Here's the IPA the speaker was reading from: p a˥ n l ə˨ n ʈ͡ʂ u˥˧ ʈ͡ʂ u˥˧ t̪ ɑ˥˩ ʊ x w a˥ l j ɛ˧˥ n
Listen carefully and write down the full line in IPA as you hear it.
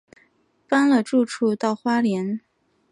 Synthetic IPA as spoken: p a˥ n l ə˨ ʈ͡ʂ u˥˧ ʈ͡ʂʰ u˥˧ t̪ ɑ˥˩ ʊ x w a˥ l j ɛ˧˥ n

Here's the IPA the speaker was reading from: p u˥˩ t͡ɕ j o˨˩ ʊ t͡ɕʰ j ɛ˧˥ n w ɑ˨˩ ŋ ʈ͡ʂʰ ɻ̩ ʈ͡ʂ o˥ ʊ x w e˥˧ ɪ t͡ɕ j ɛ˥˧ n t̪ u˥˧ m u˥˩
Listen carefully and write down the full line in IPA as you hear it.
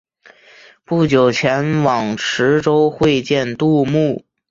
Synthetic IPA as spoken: p u˥˩ t͡ɕ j o˨˩ ʊ t͡ɕʰ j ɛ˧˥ n w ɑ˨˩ ŋ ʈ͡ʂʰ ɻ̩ ʈ͡ʂ o˥ ʊ x w e˥˧ ɪ t͡ɕ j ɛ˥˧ n t̪ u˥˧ m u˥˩

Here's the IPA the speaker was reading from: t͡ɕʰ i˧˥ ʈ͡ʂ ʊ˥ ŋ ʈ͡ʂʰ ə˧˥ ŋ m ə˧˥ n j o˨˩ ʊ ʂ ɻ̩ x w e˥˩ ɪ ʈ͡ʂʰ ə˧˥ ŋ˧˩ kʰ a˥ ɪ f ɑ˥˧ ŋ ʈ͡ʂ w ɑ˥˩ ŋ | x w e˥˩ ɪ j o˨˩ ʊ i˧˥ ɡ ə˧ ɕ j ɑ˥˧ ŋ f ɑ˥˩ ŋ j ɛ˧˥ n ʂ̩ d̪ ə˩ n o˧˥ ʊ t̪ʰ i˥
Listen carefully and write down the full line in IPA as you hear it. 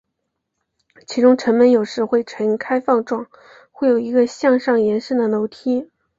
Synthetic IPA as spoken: t͡ɕʰ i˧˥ ʈ͡ʂ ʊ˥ ŋ ʈ͡ʂʰ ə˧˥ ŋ m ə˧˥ n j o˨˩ ʊ ʂ ɻ̩ x w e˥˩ ɪ ʈ͡ʂʰ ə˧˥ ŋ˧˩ kʰ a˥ ɪ f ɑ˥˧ ŋ ʈ͡ʂ w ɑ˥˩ ŋ | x w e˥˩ ɪ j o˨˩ ʊ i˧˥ ɡ ə˧ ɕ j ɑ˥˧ ŋ ʂ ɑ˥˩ ŋ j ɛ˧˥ n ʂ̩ d̪ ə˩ n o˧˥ ʊ t̪ʰ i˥

